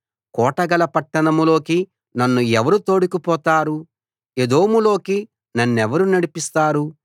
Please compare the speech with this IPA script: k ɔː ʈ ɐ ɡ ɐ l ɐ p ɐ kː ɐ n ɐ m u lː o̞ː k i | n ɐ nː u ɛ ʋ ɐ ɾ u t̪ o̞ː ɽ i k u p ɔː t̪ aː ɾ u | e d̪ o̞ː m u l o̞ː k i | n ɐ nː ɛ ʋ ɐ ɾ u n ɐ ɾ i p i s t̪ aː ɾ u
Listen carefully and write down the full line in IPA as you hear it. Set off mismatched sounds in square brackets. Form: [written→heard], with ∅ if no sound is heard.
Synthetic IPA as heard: k ɔː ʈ ɐ ɡ ɐ l ɐ p ɐ [kː→ʈː] ɐ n ɐ m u [lː→l] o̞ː k i | n ɐ nː u ɛ ʋ ɐ ɾ u t̪ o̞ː ɽ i k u p ɔː t̪ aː ɾ u | e d̪ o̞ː m u l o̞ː k i | n ɐ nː ɛ ʋ ɐ ɾ u n ɐ [ɾ→ɽ] i p i s t̪ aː ɾ u